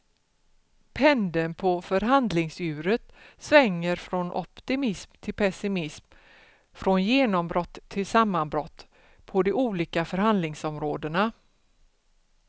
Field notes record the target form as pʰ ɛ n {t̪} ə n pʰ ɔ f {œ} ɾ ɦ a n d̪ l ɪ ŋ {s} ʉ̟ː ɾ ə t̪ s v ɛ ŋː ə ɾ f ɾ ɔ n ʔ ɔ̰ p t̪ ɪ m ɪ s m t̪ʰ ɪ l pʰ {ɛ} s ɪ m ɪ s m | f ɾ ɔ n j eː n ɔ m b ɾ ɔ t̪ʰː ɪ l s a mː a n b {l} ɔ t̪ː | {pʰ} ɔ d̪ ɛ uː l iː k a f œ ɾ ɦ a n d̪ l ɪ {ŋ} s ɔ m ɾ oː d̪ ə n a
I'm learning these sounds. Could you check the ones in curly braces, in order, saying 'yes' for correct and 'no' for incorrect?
no, yes, yes, yes, no, yes, yes

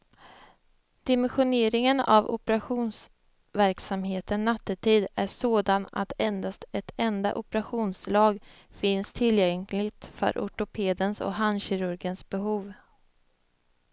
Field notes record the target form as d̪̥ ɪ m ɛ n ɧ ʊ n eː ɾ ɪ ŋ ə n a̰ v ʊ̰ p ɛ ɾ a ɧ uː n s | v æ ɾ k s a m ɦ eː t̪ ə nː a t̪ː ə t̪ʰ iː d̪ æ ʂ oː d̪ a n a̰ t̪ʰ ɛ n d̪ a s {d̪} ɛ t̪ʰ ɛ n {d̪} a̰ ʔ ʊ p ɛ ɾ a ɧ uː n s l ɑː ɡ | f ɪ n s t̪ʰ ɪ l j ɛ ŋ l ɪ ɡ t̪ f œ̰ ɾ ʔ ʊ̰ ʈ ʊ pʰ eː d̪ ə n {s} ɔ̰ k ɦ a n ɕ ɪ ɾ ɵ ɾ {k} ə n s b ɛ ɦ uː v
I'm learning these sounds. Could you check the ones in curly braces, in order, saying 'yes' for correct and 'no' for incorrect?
no, yes, yes, no

